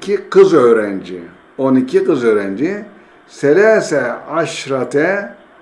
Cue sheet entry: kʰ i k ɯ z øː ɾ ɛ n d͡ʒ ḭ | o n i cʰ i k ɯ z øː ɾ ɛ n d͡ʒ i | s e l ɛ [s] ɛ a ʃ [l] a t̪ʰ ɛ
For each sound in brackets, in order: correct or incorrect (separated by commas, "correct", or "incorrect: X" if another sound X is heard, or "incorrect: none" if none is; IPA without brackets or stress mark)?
correct, incorrect: ɾ